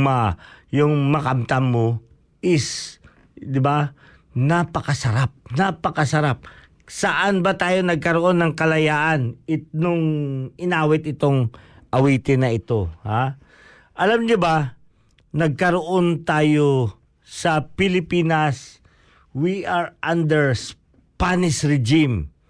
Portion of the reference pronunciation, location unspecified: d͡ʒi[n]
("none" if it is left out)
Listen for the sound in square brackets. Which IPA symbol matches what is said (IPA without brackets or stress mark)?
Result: m